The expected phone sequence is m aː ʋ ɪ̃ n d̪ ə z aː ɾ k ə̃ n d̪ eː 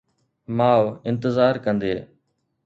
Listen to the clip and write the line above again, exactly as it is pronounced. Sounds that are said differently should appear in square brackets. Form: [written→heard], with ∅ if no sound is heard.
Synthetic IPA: m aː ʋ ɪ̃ n [d̪→t̪] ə z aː ɾ k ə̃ n d̪ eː